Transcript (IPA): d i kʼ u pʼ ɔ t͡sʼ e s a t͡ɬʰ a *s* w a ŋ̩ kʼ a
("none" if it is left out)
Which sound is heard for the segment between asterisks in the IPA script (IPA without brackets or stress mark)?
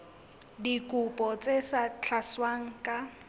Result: s